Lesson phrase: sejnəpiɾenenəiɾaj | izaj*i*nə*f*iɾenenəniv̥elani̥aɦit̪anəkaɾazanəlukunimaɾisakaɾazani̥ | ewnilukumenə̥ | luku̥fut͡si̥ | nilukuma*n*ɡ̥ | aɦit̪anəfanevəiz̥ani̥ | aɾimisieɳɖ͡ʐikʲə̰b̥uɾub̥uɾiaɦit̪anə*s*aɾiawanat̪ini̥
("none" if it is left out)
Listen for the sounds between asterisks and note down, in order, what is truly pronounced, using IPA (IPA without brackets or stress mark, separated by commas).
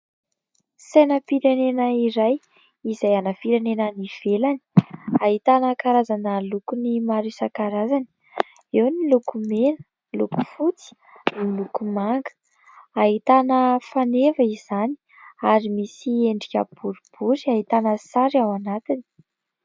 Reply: a, f, ŋ, s